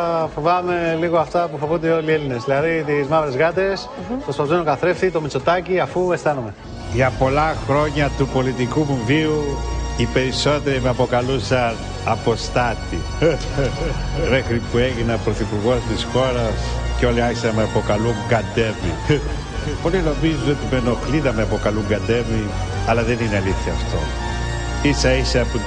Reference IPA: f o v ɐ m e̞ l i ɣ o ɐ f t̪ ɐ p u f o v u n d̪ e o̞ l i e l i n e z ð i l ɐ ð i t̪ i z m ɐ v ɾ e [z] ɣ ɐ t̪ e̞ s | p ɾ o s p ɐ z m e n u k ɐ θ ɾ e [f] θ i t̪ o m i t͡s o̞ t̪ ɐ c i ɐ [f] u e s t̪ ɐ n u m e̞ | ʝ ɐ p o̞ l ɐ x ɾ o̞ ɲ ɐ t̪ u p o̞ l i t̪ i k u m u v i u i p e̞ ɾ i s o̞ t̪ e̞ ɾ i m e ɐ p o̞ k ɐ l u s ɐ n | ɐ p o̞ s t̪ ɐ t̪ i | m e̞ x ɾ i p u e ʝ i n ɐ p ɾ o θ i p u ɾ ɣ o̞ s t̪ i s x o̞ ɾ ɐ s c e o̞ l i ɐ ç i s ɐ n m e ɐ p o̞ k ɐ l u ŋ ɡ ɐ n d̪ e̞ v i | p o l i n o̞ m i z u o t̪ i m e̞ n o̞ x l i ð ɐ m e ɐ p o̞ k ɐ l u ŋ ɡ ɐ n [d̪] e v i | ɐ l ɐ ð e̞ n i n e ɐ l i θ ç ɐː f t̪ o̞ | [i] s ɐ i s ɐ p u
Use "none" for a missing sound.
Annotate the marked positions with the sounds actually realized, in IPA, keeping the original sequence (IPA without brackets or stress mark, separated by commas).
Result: z, f, f, d̪, i